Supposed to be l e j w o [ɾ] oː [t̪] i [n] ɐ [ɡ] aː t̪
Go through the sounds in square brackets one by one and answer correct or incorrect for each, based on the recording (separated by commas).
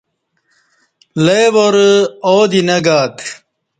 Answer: correct, incorrect, correct, correct